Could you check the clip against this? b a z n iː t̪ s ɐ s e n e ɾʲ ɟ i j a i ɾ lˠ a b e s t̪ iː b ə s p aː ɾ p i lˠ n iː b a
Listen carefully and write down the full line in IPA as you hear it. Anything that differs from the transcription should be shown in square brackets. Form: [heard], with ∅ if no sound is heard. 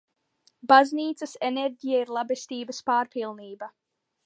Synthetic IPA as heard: b a z n iː t̪ s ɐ s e n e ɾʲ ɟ i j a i ɾ lˠ a b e s t̪ iː b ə s p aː ɾ p i lˠ n iː b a